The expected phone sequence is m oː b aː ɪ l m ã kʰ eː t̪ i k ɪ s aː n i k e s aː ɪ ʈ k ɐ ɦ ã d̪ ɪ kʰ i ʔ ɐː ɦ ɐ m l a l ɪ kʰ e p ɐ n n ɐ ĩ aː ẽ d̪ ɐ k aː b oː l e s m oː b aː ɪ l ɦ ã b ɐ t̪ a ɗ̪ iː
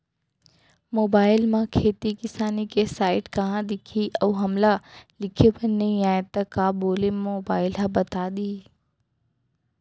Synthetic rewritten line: m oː b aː ɪ l m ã kʰ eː t̪ i k ɪ s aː n i k e s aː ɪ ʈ k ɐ ɦ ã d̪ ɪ kʰ i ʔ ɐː ɦ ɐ m l a l ɪ kʰ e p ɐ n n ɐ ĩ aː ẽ t̪ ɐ k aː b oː l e m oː b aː ɪ l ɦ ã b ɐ t̪ a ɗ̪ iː

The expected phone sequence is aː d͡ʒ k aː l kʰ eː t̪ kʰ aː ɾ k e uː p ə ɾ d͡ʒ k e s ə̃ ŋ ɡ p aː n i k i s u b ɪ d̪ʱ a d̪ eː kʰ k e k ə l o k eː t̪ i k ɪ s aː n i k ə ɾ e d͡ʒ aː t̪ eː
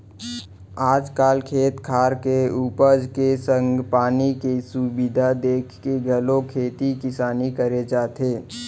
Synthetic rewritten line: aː d͡ʒ k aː l kʰ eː t̪ kʰ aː ɾ k e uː p ə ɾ d͡ʒ k e s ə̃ ŋ ɡ p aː n i k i s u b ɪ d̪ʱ a d̪ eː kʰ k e ɡ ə l o kʰ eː t̪ i k ɪ s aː n i k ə ɾ e d͡ʒ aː t̪ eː

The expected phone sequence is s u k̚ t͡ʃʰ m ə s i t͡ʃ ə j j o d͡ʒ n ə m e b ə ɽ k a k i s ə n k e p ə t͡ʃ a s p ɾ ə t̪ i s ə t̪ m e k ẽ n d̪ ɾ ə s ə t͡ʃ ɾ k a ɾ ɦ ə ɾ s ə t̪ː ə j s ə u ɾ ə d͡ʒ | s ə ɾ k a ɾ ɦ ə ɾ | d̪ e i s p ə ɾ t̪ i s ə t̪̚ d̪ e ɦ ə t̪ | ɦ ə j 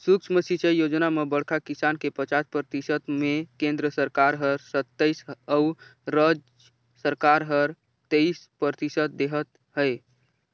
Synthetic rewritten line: s u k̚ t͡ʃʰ m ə s i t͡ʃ ə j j o d͡ʒ n a m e b ə ɽ kʰ a k i s a n k e p ə t͡ʃ a s p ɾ ə t̪ i s ə t̪ m e k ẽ n d̪ ɾ ə s ə ɾ k a ɾ ɦ ə ɾ s ə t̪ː ə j s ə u ɾ ə d͡ʒ | s ə ɾ k a ɾ ɦ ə ɾ | t̪ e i s p ə ɾ t̪ i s ə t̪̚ d̪ e ɦ ə t̪ | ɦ ə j

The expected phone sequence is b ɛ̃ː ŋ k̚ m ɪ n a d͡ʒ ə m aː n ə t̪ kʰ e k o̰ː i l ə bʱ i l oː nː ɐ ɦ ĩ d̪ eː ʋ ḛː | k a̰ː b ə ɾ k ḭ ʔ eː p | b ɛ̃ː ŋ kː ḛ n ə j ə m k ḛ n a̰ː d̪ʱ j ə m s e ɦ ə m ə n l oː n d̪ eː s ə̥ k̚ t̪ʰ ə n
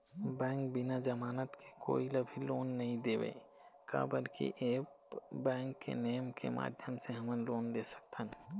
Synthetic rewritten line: b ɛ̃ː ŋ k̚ b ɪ n a d͡ʒ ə m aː n ə t̪ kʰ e k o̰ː i l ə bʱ i l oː nː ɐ ɦ ĩ d̪ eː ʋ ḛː | k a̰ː b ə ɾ k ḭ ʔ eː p | b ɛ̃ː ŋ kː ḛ n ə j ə m k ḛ m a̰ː d̪ʱ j ə m s e ɦ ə m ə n l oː n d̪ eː s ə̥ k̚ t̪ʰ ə n

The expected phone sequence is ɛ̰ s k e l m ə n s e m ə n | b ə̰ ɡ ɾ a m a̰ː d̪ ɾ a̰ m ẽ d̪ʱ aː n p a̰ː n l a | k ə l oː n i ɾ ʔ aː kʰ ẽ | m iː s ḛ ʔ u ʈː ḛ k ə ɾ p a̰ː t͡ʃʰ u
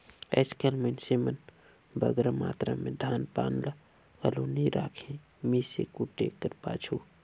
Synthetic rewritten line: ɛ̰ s k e l m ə n s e m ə n | b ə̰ ɡ ɾ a m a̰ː t̪ ɾ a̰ m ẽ d̪ʱ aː n p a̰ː n l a | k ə l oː n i ɾ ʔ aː kʰ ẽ | m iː s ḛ k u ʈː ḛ k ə ɾ p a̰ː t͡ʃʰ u

